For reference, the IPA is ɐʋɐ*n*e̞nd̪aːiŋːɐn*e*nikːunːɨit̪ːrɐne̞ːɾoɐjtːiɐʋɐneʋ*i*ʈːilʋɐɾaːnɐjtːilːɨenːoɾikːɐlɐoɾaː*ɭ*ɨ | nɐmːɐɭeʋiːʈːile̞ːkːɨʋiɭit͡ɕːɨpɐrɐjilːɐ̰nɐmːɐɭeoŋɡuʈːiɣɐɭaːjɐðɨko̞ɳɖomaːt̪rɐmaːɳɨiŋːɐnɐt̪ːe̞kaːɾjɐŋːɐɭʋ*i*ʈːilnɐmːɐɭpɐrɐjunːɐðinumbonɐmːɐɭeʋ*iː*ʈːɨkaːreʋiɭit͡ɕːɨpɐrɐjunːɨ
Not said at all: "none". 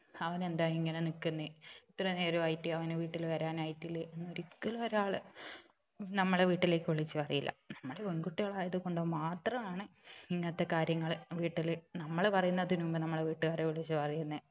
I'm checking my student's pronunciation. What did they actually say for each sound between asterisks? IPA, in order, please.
n, e, iː, ɭ, iː, iː

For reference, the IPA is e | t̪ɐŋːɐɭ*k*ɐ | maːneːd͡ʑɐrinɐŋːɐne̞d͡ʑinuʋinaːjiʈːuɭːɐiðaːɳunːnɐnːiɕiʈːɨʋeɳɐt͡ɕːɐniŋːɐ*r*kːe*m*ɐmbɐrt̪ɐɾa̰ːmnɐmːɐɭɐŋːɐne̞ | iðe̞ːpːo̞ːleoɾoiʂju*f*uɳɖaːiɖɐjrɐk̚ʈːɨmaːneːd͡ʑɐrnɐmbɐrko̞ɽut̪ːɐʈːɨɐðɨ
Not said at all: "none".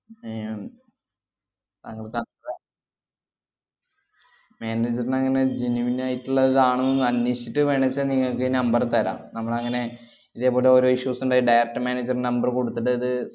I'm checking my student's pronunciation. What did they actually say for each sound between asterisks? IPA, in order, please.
k, ɭ, n, s

